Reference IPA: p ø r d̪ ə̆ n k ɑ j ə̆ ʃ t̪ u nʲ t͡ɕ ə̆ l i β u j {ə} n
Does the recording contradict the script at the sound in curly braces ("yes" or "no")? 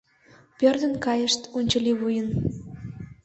no